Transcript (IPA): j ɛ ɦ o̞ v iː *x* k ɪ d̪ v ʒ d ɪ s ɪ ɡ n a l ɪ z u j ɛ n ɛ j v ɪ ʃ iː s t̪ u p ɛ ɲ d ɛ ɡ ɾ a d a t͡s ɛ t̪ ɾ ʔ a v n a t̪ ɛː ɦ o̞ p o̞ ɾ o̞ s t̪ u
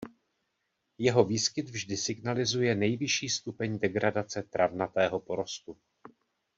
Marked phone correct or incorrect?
incorrect